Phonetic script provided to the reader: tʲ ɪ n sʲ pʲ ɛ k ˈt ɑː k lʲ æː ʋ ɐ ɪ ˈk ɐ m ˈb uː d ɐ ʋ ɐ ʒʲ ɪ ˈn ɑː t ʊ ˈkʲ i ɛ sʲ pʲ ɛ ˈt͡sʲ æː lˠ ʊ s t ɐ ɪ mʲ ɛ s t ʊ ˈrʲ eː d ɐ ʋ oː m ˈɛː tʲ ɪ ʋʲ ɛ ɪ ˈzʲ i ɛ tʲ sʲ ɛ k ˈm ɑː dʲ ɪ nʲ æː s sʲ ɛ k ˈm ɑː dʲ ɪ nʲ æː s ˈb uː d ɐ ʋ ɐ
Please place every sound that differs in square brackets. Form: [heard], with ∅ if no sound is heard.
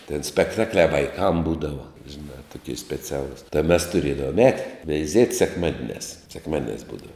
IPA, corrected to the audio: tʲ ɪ n sʲ pʲ ɛ k ˈt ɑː k lʲ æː ʋ ɐ ɪ ˈk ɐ m ˈb uː d ɐ ʋ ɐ ʒʲ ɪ ˈn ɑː t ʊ ˈkʲ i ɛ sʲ pʲ ɛ ˈt͡sʲ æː lˠ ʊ s t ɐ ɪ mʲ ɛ s t ʊ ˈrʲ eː d ɐ ʋ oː m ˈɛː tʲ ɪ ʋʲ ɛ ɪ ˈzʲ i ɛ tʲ sʲ ɛ k ˈm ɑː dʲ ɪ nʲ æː s sʲ ɛ k ˈm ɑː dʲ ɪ nʲ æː s ˈb uː d ɐ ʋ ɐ